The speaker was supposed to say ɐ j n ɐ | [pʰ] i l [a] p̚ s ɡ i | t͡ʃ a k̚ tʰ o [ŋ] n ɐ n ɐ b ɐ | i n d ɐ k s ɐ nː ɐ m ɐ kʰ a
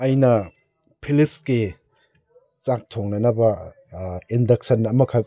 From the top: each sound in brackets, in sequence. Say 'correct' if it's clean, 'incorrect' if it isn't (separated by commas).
correct, incorrect, correct